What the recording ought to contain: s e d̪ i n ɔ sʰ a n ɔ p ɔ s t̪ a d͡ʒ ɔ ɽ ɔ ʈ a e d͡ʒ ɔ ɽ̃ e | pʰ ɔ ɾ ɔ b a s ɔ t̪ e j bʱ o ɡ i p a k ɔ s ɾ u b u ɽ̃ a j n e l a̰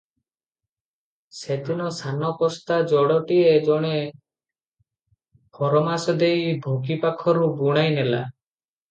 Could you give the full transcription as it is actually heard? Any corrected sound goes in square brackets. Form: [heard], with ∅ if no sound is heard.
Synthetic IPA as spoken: s e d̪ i n ɔ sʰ a n ɔ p ɔ s t̪ a d͡ʒ ɔ ɽ ɔ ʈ [i] e d͡ʒ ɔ ɽ̃ e | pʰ ɔ ɾ ɔ [m] a s ɔ [d̪] e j bʱ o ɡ i p a [kʰ] ɔ [∅] ɾ u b u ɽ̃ a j n e l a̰